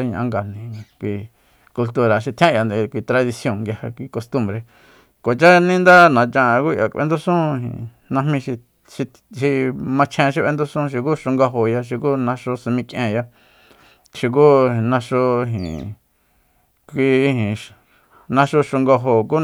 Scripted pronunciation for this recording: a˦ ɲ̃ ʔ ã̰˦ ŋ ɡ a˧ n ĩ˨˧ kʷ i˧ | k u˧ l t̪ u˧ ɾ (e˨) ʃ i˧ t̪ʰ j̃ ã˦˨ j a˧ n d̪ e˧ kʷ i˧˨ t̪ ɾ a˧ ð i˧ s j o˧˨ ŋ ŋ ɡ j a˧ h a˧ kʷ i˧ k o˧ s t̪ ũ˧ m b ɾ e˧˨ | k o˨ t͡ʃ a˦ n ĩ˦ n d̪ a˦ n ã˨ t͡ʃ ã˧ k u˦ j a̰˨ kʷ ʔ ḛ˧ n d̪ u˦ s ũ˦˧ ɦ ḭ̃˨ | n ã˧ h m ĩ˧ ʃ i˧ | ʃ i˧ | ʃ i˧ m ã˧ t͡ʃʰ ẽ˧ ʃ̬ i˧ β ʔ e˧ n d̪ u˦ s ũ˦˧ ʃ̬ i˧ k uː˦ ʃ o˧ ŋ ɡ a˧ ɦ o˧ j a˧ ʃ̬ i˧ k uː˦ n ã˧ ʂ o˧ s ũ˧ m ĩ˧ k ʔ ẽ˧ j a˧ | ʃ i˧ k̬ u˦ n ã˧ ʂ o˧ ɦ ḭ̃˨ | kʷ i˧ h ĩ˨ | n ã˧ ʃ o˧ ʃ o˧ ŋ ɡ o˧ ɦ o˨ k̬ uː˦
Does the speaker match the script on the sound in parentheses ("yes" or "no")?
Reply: no